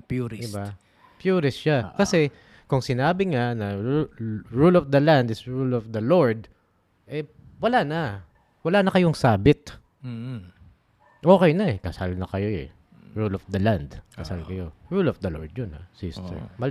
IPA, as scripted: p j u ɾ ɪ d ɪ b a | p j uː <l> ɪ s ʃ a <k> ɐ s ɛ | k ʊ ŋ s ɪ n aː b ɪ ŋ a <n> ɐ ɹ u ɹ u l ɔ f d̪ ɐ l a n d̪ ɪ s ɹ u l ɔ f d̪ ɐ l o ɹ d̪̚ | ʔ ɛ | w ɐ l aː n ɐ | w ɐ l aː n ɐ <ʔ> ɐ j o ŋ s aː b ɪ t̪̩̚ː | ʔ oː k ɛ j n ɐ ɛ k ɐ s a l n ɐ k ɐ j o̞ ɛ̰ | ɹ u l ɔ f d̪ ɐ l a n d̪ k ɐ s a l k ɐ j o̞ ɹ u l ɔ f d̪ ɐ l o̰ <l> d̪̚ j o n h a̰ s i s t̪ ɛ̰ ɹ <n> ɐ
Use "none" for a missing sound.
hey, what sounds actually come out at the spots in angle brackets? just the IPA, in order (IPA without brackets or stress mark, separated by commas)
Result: ɾ, k, n, k, ɹ, m